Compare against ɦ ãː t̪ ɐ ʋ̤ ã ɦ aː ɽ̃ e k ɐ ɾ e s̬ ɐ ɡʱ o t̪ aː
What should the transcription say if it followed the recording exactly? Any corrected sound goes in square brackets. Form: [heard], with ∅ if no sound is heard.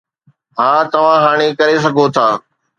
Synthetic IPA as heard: ɦ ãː t̪ ɐ ʋ̤ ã ɦ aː ɽ̃ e k ɐ ɾ e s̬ ɐ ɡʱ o [t̪ʰ] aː

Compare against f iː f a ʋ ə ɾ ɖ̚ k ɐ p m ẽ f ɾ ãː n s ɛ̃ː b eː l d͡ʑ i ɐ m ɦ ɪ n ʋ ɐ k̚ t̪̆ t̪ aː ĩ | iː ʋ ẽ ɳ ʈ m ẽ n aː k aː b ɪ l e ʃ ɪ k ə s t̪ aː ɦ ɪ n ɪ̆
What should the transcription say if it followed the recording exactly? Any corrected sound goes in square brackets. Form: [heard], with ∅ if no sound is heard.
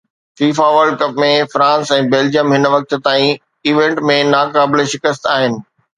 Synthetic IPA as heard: f iː f a ʋ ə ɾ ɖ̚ k ɐ p m ẽ f ɾ ãː n s ɛ̃ː b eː l d͡ʑ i [ə] m ɦ ɪ n ʋ ɐ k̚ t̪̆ t̪ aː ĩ | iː ʋ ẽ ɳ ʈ m ẽ n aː k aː b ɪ l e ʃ ɪ k ə s t̪ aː ɦ ɪ n ɪ̆

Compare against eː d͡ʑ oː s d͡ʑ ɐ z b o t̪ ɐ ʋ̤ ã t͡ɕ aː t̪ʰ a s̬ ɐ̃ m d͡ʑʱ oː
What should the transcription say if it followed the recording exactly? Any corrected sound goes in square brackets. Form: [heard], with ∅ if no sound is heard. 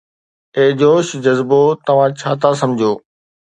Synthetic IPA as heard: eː d͡ʑ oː [ʃ] d͡ʑ ɐ z b o t̪ ɐ ʋ̤ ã [t͡ɕʰ] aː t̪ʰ a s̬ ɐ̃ m d͡ʑʱ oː

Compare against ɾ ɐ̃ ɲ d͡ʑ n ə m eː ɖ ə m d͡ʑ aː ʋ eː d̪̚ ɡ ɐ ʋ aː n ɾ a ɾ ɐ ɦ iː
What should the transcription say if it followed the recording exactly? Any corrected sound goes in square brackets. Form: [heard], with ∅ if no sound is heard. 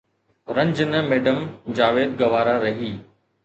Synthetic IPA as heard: ɾ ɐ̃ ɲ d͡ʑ n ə m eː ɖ ə m d͡ʑ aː ʋ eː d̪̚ ɡ ɐ ʋ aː [∅] ɾ a ɾ ɐ ɦ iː

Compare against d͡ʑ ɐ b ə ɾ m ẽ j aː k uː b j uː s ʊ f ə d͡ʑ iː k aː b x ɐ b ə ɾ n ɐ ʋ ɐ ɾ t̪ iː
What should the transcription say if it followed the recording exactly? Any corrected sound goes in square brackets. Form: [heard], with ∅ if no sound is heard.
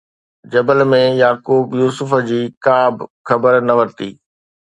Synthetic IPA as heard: d͡ʑ ɐ b ə [l] m ẽ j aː k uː b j uː s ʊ f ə d͡ʑ iː k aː b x ɐ b ə ɾ n ɐ ʋ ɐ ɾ t̪ iː

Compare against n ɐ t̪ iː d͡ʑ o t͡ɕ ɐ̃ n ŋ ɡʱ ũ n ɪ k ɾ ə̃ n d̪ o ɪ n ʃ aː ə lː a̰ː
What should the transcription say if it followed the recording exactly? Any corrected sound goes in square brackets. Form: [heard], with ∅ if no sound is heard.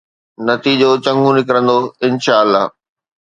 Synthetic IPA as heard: n ɐ t̪ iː d͡ʑ o t͡ɕ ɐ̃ [∅] ŋ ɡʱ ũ n ɪ k ɾ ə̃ n d̪ o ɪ n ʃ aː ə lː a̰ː

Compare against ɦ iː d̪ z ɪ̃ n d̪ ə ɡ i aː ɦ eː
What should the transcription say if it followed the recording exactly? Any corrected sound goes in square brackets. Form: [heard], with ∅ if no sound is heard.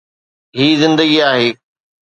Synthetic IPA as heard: ɦ iː [∅] z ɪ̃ n d̪ ə ɡ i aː ɦ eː

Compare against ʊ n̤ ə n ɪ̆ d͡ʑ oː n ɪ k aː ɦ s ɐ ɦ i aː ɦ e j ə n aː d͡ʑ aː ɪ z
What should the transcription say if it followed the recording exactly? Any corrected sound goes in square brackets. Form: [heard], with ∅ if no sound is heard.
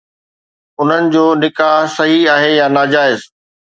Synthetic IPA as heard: ʊ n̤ ə n ɪ̆ d͡ʑ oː n ɪ k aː ɦ s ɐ ɦ i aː ɦ e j [a] n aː d͡ʑ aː ɪ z

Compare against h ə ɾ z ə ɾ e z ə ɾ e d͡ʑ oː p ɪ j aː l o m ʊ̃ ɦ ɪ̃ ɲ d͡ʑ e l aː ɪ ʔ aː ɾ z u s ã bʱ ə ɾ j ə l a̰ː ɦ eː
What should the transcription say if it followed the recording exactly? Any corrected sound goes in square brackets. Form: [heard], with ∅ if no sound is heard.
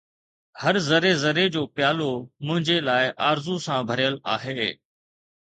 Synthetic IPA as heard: h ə ɾ z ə ɾ e z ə ɾ e d͡ʑ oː p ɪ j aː l o m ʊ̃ ɦ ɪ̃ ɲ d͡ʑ e l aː ɪ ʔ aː ɾ z u s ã bʱ ə ɾ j ə l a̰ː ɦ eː

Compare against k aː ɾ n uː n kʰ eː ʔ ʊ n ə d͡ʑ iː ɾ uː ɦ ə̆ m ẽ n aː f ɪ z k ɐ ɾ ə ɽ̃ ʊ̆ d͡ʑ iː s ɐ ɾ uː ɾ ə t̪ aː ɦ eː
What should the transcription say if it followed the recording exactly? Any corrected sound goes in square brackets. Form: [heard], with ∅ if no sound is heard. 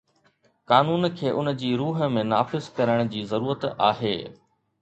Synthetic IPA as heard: k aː [∅] n uː n kʰ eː ʔ ʊ n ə d͡ʑ iː ɾ uː ɦ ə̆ m ẽ n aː f ɪ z k ɐ ɾ ə ɽ̃ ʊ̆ d͡ʑ iː [z] ɐ ɾ uː ɾ ə t̪ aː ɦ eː

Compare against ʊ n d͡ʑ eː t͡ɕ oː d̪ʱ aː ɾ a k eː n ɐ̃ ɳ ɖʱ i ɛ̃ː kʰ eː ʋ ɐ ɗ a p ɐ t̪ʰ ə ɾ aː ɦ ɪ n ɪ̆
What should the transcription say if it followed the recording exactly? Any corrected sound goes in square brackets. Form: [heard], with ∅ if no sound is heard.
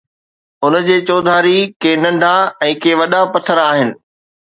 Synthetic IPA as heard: ʊ n d͡ʑ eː t͡ɕ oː d̪ʱ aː ɾ [i] k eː n ɐ̃ ɳ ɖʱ [a] ɛ̃ː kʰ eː ʋ ɐ ɗ a p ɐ t̪ʰ ə ɾ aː ɦ ɪ n ɪ̆

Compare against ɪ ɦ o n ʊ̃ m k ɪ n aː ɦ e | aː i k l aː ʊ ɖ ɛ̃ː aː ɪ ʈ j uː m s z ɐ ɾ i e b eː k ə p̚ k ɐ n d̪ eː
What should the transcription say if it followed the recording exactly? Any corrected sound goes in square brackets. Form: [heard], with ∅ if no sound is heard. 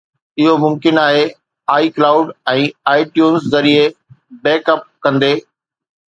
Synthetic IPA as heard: ɪ ɦ o [m] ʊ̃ m k ɪ n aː ɦ e | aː i k l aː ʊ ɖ ɛ̃ː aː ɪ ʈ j uː [n] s z ɐ ɾ i e b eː k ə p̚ k [ɐ̃] n d̪ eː

